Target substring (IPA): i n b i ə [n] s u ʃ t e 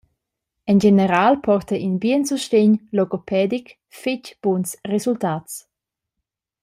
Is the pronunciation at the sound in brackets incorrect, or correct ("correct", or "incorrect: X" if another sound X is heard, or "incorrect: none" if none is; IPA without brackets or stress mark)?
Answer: correct